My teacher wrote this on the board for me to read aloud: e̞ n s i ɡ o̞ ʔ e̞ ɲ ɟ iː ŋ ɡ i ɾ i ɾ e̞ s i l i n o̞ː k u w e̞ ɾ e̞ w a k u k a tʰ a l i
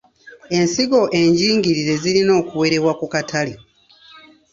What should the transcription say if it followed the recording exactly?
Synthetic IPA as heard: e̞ n s i ɡ o̞ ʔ e̞ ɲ ɟ iː ŋ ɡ i ɾ i ɾ e̞ z i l i n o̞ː k u w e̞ ɾ e̞ w a k u k a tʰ a l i